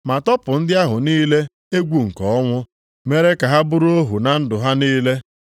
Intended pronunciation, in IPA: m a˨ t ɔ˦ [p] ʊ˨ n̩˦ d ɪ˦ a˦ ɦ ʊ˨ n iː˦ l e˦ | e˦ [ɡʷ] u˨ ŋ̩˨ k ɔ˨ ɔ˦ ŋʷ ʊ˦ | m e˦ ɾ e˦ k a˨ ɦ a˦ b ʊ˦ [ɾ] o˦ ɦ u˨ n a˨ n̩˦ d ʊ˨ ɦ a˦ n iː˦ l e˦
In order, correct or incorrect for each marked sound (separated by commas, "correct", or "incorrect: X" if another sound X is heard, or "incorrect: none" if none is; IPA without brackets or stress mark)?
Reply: correct, correct, correct